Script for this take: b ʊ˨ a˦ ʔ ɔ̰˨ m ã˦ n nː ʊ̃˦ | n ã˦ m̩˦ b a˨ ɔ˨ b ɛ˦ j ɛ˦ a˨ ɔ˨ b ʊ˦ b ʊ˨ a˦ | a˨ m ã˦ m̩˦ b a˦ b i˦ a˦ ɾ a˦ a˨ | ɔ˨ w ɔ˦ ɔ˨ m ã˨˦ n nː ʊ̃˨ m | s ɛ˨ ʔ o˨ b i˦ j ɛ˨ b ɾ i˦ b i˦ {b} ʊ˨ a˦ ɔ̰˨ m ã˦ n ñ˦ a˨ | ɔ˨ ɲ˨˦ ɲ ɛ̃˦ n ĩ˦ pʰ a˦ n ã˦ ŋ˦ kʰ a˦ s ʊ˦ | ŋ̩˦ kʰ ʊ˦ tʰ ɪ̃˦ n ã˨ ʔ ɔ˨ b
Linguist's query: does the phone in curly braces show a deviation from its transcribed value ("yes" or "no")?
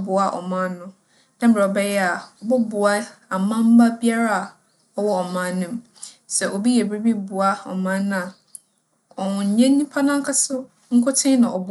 no